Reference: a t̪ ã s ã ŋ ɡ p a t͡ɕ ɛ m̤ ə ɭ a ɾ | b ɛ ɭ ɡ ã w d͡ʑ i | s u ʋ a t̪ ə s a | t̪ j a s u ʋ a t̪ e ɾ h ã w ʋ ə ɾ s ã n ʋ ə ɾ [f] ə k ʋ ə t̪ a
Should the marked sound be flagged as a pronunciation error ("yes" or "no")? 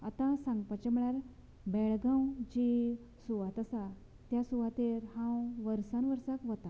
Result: yes